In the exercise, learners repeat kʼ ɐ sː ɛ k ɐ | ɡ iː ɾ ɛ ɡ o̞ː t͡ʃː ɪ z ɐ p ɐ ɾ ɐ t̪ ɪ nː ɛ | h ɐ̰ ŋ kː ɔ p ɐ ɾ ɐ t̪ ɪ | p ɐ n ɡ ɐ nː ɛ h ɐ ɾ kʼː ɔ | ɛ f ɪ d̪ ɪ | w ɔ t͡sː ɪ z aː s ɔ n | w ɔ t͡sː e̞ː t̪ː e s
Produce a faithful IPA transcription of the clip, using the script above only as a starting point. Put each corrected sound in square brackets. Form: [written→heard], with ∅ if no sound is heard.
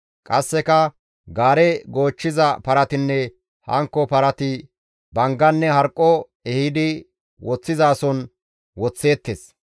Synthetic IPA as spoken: kʼ ɐ sː ɛ k ɐ | ɡ [iː→aː] ɾ ɛ ɡ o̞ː t͡ʃː ɪ z ɐ p ɐ ɾ ɐ t̪ ɪ nː ɛ | h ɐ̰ ŋ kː ɔ p ɐ ɾ ɐ t̪ ɪ | [p→b] ɐ [n→ŋ] ɡ ɐ nː ɛ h ɐ ɾ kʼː ɔ | ɛ [f→h] ɪ d̪ ɪ | w ɔ t͡sː ɪ z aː s ɔ n | w ɔ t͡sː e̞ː t̪ː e s

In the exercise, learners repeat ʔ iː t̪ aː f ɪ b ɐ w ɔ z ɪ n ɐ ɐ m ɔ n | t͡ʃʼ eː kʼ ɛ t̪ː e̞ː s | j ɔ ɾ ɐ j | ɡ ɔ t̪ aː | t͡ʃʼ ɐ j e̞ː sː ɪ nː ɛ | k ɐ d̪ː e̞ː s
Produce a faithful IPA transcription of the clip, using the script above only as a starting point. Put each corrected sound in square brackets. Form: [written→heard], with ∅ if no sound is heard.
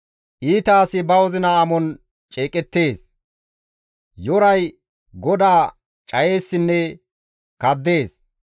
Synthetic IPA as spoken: ʔ iː t̪ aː [f→s] ɪ b ɐ w ɔ z ɪ n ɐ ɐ m ɔ n | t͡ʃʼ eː kʼ ɛ t̪ː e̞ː s | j ɔ ɾ ɐ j | ɡ ɔ [t̪→d̪] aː | t͡ʃʼ ɐ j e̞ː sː ɪ nː ɛ | k ɐ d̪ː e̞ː s

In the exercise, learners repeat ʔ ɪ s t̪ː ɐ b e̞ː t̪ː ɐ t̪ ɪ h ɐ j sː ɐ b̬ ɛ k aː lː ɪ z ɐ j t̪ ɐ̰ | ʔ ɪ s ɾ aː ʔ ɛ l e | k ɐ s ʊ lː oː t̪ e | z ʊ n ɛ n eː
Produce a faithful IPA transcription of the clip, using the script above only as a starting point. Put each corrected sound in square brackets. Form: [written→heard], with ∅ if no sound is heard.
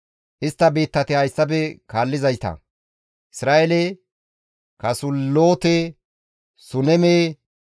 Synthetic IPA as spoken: ʔ ɪ s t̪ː ɐ b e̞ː t̪ː ɐ t̪ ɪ h ɐ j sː ɐ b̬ ɛ k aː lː ɪ z ɐ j t̪ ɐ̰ | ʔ ɪ s ɾ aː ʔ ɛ l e | k ɐ s ʊ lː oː t̪ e | [z→s] ʊ n ɛ [n→m] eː

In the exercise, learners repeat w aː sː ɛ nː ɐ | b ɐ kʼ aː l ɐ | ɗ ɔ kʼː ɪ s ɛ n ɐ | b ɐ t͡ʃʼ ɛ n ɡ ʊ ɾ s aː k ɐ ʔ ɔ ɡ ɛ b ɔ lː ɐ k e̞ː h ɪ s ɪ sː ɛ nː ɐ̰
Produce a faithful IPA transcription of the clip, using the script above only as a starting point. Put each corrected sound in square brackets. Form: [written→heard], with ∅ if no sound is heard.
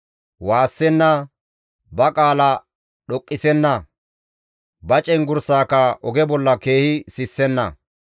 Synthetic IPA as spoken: w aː sː ɛ nː ɐ | b ɐ kʼ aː l ɐ | ɗ ɔ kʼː ɪ s ɛ [n→nː] ɐ | b ɐ t͡ʃʼ ɛ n ɡ ʊ ɾ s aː k ɐ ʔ ɔ ɡ ɛ b ɔ lː ɐ k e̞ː h ɪ s ɪ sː ɛ nː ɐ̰

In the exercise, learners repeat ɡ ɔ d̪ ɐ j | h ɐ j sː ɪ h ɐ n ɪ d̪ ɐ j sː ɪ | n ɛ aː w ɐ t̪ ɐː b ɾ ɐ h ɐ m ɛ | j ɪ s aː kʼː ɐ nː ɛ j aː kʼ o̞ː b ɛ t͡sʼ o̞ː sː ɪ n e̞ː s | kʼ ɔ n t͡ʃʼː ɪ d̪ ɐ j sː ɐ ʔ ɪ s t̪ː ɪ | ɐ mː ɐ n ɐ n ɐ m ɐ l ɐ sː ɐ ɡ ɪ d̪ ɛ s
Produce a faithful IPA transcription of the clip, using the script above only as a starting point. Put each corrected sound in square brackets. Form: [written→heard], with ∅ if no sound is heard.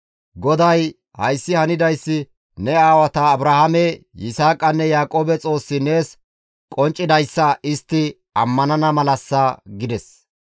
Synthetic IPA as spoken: ɡ ɔ d̪ ɐ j | h ɐ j sː ɪ h ɐ n ɪ d̪ ɐ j sː ɪ | n ɛ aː w ɐ t̪ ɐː b ɾ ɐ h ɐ m ɛ | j ɪ s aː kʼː ɐ nː ɛ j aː kʼ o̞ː b ɛ t͡sʼ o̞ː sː ɪ n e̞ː s | kʼ ɔ n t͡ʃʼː ɪ d̪ ɐ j sː ɐ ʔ ɪ s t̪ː ɪ | ɐ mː ɐ n ɐ n ɐ m ɐ l ɐ sː ɐ ɡ ɪ d̪ ɛ s

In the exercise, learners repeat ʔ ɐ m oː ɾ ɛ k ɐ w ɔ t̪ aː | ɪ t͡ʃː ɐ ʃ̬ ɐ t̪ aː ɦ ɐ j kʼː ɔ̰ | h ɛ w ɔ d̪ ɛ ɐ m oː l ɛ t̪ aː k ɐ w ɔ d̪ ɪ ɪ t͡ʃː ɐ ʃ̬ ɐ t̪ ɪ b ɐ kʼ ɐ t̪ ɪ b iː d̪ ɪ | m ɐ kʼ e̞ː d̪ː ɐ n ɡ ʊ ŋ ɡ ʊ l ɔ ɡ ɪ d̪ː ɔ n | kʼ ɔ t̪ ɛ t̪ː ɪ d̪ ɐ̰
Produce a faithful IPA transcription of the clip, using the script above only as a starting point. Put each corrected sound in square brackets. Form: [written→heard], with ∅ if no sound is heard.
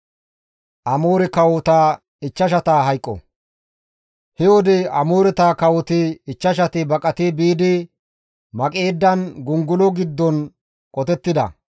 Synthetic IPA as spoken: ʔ ɐ m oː ɾ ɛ k ɐ w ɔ t̪ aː | ɪ t͡ʃː ɐ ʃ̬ ɐ t̪ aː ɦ ɐ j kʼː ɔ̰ | h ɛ w ɔ d̪ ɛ ɐ m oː [l→ɾ] ɛ t̪ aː k ɐ w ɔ [d̪→t̪] ɪ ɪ t͡ʃː ɐ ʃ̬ ɐ t̪ ɪ b ɐ kʼ ɐ t̪ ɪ b iː d̪ ɪ | m ɐ kʼ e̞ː d̪ː ɐ n ɡ ʊ ŋ ɡ ʊ l ɔ ɡ ɪ d̪ː ɔ n | kʼ ɔ t̪ ɛ t̪ː ɪ d̪ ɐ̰

